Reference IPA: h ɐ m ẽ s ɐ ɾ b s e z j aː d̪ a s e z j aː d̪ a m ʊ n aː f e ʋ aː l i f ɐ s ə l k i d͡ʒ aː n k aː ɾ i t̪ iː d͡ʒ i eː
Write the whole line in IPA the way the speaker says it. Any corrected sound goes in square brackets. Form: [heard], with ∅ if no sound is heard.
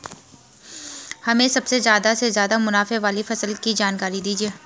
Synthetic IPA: h ɐ m ẽ s ɐ [∅] b s e z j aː d̪ a s e z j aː d̪ a m ʊ n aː f e ʋ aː l i f ɐ s ə l k i d͡ʒ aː n k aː ɾ i [d̪] iː d͡ʒ i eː